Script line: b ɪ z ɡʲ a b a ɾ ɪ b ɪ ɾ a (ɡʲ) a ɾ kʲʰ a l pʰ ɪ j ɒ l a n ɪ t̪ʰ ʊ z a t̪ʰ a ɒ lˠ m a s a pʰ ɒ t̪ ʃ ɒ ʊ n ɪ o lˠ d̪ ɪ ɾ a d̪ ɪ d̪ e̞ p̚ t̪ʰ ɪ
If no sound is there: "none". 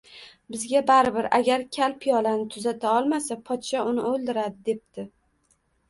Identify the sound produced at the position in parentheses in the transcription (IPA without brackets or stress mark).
ɡʲ